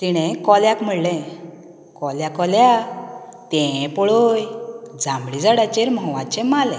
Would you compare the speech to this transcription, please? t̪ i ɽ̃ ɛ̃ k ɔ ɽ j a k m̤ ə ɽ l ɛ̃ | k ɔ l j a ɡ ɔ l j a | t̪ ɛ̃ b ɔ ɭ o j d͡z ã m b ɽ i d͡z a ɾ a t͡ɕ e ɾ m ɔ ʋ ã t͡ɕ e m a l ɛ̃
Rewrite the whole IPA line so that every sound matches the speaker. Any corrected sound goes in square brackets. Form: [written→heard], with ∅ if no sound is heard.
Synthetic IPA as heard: t̪ i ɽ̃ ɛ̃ k ɔ [ɽ→l] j a k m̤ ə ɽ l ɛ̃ | k ɔ l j a [ɡ→k] ɔ l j a | t̪ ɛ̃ [b→p] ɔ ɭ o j d͡z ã m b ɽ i d͡z a [ɾ→ɽ] a t͡ɕ e ɾ m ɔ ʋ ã t͡ɕ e m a l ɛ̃